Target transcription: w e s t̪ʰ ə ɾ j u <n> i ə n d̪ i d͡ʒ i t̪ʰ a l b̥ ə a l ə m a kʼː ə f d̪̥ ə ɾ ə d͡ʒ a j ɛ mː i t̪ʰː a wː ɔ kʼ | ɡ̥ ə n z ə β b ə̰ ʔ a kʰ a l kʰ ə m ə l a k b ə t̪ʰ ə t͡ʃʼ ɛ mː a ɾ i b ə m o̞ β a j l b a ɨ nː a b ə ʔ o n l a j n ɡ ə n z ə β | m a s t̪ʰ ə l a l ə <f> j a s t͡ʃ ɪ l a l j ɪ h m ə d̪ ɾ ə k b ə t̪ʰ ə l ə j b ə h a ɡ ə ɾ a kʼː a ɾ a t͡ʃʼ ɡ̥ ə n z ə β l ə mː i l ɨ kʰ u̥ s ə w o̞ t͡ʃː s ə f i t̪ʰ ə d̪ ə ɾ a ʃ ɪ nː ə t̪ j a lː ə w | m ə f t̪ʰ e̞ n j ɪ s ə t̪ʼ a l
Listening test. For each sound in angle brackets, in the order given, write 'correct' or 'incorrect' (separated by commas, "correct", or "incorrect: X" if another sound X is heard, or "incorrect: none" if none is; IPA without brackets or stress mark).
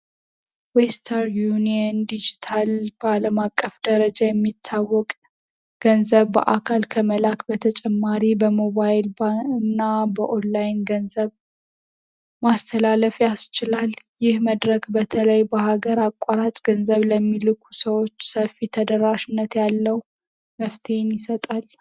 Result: correct, correct